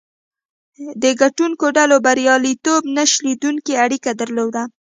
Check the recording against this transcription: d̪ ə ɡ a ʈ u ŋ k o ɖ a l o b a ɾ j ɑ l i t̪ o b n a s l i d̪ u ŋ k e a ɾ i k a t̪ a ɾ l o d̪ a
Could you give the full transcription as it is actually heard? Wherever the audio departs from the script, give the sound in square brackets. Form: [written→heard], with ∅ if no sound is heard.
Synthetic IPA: d̪ ə ɡ a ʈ u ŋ k o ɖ a l o b a ɾ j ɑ l i t̪ o b n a [s→ʃ] l i d̪ u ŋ k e a [ɾ→ɽ] i k a [t̪→d̪] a ɾ l o d̪ a